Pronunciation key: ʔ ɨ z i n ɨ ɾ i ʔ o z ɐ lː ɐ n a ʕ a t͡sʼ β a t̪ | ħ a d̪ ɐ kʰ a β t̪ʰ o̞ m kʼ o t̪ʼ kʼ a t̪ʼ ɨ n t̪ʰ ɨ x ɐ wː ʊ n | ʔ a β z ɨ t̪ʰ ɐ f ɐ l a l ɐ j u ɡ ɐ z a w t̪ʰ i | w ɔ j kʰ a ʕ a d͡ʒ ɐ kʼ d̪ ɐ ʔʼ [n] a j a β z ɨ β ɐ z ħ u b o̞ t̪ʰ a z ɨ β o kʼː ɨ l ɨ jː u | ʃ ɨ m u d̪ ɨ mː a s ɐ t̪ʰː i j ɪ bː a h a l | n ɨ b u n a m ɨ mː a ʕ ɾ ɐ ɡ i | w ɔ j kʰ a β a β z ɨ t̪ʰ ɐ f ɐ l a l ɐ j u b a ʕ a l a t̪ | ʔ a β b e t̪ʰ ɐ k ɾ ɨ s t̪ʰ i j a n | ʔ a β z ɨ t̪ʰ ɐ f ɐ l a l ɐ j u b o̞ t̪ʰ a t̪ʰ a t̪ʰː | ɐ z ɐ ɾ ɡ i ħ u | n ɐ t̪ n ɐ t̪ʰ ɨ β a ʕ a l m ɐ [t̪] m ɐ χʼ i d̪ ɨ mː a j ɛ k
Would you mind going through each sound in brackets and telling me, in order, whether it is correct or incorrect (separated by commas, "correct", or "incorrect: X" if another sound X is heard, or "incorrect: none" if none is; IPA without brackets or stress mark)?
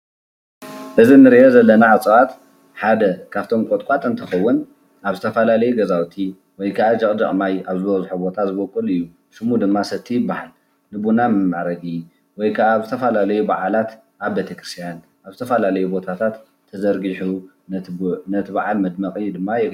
incorrect: m, incorrect: d̪